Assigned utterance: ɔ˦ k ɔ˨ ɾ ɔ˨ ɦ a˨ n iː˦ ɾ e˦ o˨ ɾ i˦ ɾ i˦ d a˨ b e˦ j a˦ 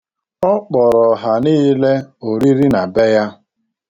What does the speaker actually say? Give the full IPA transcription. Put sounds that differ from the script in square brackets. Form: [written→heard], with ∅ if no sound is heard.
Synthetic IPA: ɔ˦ [k→k͡p] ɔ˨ ɾ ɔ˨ ɦ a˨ n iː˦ [ɾ→l] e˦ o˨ ɾ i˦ ɾ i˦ [d→n] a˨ b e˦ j a˦